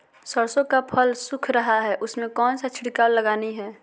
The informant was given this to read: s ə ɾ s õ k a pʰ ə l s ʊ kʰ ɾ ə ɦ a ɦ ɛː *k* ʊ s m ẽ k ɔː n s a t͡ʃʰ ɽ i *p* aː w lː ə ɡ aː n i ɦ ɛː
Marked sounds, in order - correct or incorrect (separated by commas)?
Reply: incorrect, incorrect